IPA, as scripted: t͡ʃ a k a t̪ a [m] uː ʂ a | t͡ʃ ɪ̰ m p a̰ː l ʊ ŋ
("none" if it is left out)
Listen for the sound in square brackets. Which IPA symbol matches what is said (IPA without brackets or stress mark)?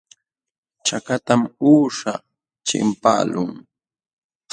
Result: m